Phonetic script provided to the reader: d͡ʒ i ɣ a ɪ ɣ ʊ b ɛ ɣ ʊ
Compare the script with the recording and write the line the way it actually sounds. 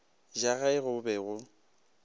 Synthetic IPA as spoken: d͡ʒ a ɣ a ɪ ɣ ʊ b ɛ ɣ ʊ